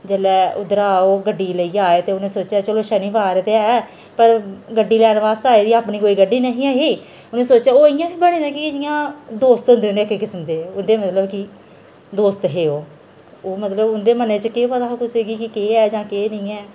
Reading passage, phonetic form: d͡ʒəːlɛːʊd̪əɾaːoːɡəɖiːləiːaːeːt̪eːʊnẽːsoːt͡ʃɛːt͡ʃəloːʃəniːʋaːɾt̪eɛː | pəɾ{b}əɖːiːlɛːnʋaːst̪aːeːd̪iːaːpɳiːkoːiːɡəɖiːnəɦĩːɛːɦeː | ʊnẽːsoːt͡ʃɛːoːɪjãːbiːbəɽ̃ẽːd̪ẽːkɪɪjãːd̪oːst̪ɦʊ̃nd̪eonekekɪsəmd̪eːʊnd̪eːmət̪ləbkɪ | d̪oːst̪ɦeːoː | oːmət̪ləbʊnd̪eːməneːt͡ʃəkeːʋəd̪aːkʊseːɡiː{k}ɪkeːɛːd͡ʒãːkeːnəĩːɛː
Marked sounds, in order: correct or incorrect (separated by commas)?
incorrect, correct